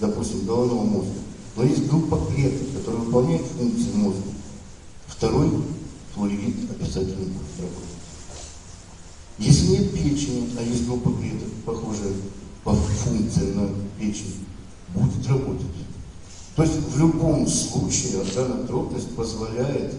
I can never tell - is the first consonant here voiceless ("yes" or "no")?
no